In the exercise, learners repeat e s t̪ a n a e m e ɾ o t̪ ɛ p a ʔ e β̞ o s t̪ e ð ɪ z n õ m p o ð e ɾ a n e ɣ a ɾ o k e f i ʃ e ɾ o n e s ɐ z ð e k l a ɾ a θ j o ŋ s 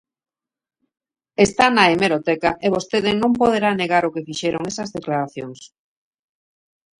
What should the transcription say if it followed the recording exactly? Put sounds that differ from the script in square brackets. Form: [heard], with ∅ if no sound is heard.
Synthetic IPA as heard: e s t̪ a n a e m e ɾ o t̪ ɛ [k] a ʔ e β̞ o s t̪ e ð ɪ [∅] n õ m p o ð e ɾ a n e ɣ a ɾ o k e f i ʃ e ɾ o [ŋ] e s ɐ z ð e k l a ɾ a θ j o ŋ s

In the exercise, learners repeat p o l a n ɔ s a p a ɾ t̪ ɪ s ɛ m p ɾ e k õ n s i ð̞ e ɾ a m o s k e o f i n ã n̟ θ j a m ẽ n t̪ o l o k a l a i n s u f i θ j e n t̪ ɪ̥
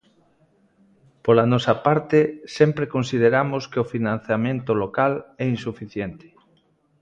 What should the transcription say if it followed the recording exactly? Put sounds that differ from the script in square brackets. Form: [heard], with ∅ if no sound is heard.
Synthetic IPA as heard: p o l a n ɔ s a p a ɾ t̪ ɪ s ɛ m p ɾ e k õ n s i ð̞ e ɾ a m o s k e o f i n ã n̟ θ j a m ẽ n t̪ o l o k a l [ɛ] i n s u f i θ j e n t̪ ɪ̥

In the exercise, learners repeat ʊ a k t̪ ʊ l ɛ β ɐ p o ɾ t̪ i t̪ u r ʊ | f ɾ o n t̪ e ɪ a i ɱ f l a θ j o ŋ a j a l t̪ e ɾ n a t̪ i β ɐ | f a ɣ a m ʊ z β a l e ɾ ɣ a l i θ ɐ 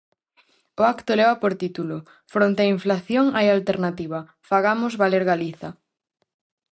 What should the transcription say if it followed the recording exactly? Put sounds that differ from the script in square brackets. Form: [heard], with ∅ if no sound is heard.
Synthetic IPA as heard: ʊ a k t̪ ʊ l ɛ β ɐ p o ɾ t̪ i t̪ u [l] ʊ | f ɾ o n t̪ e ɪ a i ɱ f l a θ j o ŋ a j a l t̪ e ɾ n a t̪ i β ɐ | f a ɣ a m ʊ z β a l e ɾ ɣ a l i θ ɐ

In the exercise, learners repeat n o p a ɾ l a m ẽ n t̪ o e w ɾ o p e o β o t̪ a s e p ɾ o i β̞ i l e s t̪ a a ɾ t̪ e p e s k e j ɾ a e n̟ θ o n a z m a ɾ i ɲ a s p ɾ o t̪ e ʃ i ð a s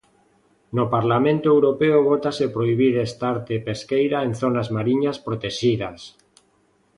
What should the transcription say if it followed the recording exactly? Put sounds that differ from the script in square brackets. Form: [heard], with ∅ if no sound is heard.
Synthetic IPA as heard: n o p a ɾ l a m ẽ n t̪ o e w ɾ o p e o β o t̪ a s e p ɾ o i β̞ i [ɾ] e s t̪ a a ɾ t̪ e p e s k e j ɾ a e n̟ θ o n a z m a ɾ i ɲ a s p ɾ o t̪ e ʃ i ð a s

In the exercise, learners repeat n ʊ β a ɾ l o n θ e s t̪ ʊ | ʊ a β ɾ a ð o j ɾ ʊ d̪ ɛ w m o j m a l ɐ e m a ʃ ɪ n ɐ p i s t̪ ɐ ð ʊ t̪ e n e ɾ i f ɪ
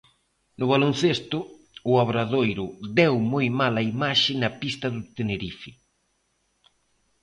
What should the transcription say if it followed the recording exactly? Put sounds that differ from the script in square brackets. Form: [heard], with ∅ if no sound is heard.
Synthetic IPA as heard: n ʊ β a [∅] l o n θ e s t̪ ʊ | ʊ a β ɾ a ð o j ɾ ʊ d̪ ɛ w m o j m a l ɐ [i] m a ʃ ɪ n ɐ p i s t̪ ɐ ð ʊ t̪ e n e ɾ i f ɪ

